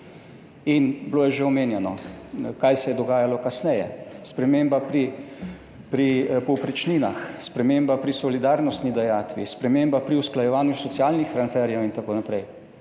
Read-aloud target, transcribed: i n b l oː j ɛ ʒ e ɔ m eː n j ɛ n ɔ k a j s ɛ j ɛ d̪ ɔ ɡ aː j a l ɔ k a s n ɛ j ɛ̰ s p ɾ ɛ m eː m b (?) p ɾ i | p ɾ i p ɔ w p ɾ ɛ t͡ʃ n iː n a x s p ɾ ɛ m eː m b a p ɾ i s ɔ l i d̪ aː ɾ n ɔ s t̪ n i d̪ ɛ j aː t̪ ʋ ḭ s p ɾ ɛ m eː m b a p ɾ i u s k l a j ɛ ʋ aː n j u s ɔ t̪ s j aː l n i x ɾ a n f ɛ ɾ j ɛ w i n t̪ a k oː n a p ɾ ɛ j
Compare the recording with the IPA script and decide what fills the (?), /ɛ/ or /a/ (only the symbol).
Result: a